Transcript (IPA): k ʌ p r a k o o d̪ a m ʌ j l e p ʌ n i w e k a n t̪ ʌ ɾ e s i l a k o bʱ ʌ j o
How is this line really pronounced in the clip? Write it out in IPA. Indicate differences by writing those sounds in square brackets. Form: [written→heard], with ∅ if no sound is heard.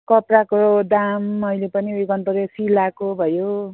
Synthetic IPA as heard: k ʌ p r a k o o d̪ a m ʌ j l e p ʌ n i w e k [a→ʌ] n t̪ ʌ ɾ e s i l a k o bʱ ʌ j o